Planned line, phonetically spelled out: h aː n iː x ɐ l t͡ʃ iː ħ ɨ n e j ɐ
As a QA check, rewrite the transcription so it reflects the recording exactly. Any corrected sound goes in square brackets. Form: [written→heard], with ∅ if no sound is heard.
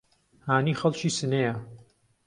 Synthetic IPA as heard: h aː n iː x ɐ l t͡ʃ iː [ħ→s] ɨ n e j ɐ